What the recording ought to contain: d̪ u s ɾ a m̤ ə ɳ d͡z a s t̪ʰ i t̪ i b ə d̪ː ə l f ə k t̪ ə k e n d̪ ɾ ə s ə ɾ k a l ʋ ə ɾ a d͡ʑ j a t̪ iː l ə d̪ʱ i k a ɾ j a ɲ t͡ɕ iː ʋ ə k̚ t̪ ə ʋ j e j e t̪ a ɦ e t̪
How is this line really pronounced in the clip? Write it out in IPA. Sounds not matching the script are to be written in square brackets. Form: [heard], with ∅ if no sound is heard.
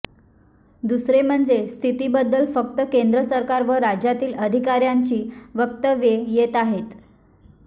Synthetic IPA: d̪ u s ɾ [e] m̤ ə ɳ d͡z [e] s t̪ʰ i t̪ i b ə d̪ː ə l f ə k t̪ ə k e n d̪ ɾ ə s ə ɾ k a [ɾ] ʋ ə ɾ a d͡ʑ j a t̪ iː l ə d̪ʱ i k a ɾ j a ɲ t͡ɕ iː ʋ ə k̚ t̪ ə ʋ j e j e t̪ a ɦ e t̪